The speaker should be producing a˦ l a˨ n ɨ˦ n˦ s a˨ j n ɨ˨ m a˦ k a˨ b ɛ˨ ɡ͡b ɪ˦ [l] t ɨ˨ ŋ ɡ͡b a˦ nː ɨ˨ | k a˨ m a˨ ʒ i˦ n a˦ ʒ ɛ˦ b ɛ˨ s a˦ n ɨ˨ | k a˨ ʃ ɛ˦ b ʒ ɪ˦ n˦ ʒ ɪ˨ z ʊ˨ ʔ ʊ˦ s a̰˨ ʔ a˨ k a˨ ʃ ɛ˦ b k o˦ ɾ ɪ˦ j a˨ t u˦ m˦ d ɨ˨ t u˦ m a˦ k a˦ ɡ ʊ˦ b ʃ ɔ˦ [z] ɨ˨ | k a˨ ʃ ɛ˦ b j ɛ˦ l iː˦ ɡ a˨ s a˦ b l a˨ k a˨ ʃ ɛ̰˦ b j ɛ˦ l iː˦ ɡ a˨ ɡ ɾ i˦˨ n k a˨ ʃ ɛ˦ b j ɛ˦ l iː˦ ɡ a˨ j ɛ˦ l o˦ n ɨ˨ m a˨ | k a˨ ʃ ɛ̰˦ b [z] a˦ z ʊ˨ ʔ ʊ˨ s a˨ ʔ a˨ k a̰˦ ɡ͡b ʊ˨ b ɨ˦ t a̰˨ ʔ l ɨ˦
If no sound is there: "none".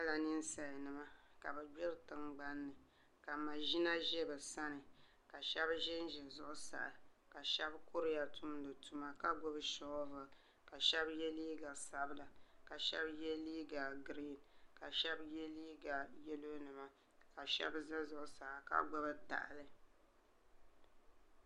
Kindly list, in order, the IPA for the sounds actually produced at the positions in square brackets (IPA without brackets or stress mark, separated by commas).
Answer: ɾ, v, z